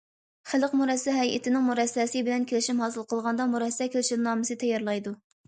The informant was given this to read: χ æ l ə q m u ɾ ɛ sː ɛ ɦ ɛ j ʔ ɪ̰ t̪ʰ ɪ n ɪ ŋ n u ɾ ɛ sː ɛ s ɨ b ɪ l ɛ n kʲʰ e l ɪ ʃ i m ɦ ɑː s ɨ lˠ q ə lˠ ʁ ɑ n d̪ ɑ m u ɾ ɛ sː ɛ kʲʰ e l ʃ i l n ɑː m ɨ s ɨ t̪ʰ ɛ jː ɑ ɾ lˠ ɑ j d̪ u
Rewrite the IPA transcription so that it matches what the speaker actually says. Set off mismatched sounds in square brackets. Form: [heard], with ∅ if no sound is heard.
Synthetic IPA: χ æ l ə q m u ɾ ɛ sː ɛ ɦ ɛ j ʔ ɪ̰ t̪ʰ ɪ n ɪ ŋ [m] u ɾ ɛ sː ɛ s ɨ b ɪ l ɛ n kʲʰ e l ɪ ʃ i m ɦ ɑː s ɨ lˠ q ə lˠ ʁ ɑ n d̪ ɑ m u ɾ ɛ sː ɛ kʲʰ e l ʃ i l n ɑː m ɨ s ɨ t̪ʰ ɛ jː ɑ ɾ lˠ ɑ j d̪ u